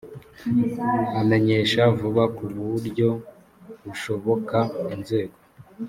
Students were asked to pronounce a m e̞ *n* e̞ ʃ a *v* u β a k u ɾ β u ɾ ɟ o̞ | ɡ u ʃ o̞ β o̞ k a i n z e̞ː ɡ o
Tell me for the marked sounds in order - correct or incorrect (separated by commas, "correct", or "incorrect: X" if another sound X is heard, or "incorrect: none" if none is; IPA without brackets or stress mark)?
incorrect: ɲ, correct